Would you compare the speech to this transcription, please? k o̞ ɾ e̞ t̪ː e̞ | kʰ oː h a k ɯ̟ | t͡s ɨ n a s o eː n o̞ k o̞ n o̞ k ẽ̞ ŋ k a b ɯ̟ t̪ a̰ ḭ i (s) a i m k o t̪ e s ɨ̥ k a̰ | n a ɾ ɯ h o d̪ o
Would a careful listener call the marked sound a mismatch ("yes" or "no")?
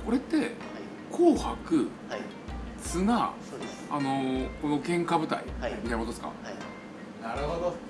yes